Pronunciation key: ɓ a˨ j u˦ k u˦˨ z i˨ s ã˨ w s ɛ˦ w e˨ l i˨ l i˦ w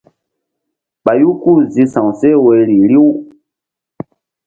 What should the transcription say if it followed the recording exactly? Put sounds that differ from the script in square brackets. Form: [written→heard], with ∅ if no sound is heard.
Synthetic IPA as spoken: ɓ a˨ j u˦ k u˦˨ z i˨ s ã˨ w s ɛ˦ w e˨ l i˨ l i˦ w